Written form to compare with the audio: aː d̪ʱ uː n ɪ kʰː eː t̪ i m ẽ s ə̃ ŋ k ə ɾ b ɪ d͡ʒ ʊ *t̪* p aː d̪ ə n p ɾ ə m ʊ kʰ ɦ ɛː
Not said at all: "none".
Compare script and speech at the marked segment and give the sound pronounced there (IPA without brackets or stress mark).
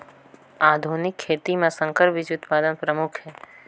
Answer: t̪